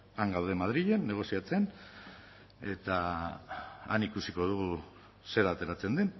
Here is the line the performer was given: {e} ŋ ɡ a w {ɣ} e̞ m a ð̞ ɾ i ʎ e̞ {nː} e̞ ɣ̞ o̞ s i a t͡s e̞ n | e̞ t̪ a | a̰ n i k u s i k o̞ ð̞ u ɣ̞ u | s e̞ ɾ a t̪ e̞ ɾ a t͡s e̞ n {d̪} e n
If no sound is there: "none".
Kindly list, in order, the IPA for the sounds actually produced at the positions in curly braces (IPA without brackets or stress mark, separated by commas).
a, ð, nː, d̪